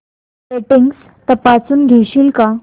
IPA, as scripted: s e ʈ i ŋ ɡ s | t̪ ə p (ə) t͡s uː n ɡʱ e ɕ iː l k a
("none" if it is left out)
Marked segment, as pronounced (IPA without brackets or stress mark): a